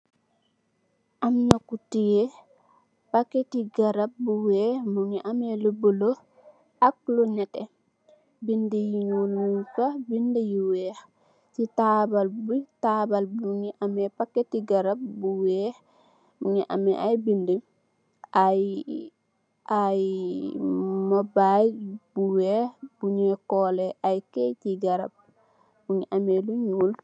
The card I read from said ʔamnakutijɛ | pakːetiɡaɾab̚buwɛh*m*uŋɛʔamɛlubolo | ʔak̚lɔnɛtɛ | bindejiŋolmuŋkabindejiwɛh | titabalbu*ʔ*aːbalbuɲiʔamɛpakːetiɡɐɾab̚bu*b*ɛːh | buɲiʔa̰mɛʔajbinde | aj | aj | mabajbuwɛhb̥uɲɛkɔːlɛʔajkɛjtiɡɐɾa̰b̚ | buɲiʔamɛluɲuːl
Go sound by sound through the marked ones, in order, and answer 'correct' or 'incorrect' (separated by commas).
correct, incorrect, incorrect